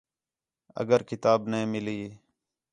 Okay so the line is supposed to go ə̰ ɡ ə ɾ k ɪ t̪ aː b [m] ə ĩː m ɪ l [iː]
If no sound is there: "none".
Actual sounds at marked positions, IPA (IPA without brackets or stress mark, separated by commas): n, iː